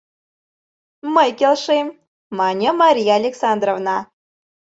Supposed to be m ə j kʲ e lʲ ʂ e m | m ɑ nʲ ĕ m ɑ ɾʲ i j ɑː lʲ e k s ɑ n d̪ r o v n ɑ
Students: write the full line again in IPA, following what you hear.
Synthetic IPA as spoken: m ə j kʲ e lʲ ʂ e m | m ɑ nʲ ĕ m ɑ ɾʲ i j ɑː lʲ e k s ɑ n d̪ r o v n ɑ